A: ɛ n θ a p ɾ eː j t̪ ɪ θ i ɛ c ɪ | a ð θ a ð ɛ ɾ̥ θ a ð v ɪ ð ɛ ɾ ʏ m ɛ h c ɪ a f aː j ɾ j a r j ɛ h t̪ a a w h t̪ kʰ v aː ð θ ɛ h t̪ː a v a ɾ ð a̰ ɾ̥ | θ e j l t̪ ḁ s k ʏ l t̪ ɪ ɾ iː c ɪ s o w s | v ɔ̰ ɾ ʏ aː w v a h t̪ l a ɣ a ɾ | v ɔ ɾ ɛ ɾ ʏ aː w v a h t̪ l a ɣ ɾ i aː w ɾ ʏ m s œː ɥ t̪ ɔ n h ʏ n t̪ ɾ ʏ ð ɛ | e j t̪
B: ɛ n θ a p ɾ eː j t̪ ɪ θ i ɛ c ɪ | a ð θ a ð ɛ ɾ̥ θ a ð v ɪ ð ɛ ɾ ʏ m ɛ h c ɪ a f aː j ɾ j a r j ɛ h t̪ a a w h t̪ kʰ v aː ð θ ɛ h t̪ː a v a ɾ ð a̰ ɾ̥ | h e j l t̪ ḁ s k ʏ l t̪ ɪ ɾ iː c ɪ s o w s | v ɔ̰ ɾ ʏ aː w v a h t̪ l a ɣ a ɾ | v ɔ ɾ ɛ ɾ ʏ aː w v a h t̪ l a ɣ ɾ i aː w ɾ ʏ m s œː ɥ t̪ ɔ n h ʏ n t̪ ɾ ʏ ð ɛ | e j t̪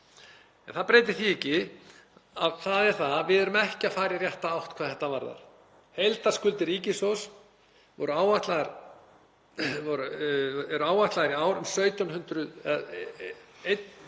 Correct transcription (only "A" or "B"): B